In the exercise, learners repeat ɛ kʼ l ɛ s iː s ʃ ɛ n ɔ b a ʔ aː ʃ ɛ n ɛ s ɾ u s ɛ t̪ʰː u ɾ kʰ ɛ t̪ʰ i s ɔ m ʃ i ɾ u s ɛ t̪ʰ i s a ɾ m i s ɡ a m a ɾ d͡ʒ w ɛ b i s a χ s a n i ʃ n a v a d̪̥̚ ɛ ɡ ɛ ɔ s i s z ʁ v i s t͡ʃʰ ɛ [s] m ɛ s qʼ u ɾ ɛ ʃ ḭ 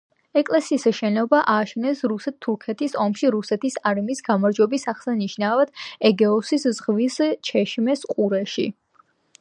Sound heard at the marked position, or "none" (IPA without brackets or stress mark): ʃ